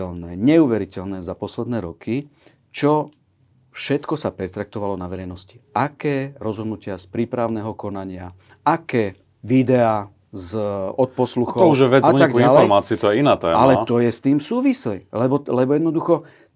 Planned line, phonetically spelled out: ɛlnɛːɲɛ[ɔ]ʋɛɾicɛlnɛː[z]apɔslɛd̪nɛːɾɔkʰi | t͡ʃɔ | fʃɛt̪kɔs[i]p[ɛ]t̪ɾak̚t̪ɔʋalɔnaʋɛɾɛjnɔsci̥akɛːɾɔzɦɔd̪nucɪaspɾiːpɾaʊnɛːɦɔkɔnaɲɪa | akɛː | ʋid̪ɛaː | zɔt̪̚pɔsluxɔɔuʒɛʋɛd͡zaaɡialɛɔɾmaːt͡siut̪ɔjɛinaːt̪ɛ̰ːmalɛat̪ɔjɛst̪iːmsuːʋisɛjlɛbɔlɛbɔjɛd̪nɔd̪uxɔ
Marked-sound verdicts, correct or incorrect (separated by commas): incorrect, correct, incorrect, correct